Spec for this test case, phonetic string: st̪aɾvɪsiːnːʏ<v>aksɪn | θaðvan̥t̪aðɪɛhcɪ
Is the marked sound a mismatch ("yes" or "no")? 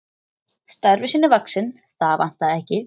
no